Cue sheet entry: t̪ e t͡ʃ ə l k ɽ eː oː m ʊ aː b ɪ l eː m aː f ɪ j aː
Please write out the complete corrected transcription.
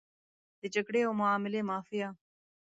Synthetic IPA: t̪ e t͡ʃ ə k ɽ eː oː m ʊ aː m ɪ l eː m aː f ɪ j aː